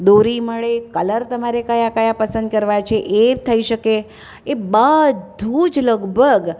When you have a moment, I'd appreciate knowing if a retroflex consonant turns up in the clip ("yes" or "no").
yes